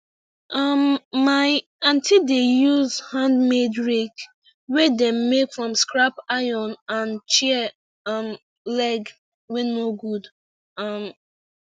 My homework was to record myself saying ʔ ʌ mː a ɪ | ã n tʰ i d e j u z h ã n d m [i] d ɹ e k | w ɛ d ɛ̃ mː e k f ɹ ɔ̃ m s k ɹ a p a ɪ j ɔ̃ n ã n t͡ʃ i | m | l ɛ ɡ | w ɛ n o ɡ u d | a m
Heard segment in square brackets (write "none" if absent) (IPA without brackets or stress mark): e